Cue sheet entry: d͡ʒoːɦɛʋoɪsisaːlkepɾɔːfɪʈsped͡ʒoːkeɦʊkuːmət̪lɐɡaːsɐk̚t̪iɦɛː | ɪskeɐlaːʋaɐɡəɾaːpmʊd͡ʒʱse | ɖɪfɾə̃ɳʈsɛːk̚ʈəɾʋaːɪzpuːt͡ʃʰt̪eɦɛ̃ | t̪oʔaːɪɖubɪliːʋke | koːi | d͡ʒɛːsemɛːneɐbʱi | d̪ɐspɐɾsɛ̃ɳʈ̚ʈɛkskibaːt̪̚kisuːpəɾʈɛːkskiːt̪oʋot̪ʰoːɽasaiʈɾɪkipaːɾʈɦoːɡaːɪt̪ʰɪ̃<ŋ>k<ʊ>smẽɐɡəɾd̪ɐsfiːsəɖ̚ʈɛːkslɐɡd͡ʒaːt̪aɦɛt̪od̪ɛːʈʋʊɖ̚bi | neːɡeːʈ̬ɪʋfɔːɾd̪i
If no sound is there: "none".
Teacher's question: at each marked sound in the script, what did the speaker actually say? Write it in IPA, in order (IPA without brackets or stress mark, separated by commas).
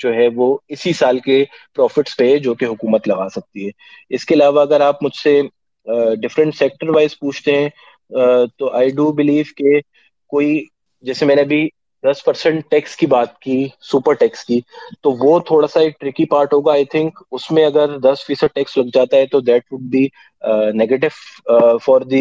ŋ, ʊ